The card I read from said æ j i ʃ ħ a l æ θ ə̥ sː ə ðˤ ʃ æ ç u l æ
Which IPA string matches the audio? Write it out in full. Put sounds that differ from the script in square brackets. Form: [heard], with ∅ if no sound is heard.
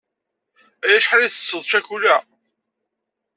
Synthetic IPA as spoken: æ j [æ] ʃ ħ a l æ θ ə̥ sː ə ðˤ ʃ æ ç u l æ